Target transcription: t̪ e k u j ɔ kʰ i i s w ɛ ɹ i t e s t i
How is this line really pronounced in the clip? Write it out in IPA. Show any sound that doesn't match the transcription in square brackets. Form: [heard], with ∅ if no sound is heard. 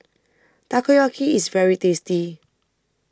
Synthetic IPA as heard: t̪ [a] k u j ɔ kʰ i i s [v] ɛ ɹ i t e s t i